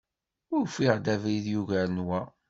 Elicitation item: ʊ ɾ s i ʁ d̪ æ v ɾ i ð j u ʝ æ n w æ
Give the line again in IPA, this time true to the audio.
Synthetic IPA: ʊ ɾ f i ʁ d̪ æ v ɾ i ð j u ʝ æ n w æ